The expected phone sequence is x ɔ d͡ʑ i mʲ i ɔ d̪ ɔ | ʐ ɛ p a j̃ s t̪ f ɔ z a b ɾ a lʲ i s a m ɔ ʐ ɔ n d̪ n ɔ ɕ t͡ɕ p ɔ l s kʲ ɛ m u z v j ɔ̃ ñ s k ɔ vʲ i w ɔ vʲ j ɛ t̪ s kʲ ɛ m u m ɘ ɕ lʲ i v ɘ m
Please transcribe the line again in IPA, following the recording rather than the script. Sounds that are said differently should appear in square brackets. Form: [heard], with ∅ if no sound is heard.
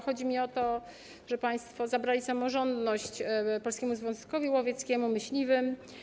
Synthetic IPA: x ɔ d͡ʑ i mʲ i ɔ [t̪] ɔ | ʐ ɛ p a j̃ s t̪ f ɔ z a b ɾ a lʲ i s a m ɔ ʐ ɔ n d̪ n ɔ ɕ t͡ɕ p ɔ l s kʲ ɛ m u z v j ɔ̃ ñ s k ɔ vʲ i w ɔ vʲ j ɛ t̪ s kʲ ɛ m u m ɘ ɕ lʲ i v ɘ m